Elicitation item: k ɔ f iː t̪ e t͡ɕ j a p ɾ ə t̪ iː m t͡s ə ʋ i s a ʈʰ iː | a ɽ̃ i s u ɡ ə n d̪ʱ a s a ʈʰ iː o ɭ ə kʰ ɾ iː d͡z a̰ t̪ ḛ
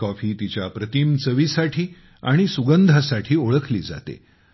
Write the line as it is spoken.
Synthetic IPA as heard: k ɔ f iː t̪ i t͡ɕ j a p ɾ ə t̪ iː m t͡s ə ʋ i s a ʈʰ iː | a ɽ̃ i s u ɡ ə n d̪ʱ a s a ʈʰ iː o ɭ ə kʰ l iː d͡z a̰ t̪ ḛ